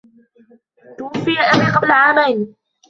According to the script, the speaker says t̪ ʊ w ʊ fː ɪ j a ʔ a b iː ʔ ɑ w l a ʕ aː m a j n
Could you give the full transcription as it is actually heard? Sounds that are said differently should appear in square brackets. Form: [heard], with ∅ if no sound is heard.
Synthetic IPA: t̪ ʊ w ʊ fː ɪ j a ʔ a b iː [q] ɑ [b] l a ʕ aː m a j n